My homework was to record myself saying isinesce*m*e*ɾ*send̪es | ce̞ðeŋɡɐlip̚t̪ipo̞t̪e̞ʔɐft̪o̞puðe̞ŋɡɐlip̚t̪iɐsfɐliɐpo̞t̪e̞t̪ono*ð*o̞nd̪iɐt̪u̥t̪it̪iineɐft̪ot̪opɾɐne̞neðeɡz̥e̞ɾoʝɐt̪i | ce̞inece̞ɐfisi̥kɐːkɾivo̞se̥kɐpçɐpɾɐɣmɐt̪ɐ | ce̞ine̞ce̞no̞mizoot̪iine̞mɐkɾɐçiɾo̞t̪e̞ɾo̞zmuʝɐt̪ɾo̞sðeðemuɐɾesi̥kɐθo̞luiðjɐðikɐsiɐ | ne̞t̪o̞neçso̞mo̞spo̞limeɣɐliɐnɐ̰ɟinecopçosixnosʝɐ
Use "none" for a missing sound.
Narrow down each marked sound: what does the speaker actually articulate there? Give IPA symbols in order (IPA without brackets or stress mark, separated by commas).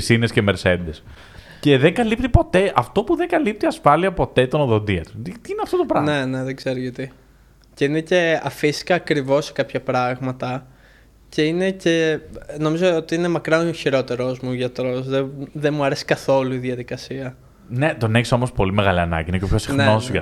m, ɾ, ð